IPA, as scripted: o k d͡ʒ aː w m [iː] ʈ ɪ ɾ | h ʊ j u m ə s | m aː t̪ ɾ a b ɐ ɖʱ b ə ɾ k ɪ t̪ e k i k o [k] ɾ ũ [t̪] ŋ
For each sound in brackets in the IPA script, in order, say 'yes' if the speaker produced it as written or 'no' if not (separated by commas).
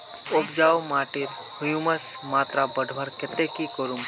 no, no, no